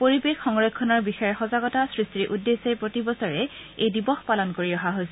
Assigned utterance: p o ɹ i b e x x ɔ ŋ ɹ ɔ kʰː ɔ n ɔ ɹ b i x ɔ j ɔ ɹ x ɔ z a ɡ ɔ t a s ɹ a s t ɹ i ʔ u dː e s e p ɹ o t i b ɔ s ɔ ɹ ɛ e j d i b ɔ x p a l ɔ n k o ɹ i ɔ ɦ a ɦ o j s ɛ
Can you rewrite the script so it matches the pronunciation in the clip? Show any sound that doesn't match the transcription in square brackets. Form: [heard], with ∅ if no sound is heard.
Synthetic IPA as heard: p o ɹ i b e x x ɔ ŋ ɹ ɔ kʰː ɔ n ɔ ɹ b i x ɔ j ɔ ɹ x ɔ z a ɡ ɔ t a s ɹ [i] s t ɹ i ʔ u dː e s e p ɹ o t i b ɔ s ɔ ɹ ɛ e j d i b ɔ x p a l ɔ n k o ɹ i ɔ ɦ a ɦ o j s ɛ